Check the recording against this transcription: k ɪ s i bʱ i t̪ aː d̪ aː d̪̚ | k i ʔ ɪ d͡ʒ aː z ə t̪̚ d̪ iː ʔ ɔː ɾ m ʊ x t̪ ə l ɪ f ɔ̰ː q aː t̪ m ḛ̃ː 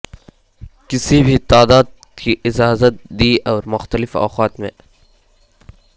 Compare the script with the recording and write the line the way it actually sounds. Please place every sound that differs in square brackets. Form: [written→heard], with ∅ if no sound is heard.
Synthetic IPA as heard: k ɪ s i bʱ i t̪ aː d̪ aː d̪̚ | k i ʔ ɪ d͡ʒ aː z ə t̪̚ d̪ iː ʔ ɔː ɾ m ʊ x t̪ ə l ɪ f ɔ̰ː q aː t̪ m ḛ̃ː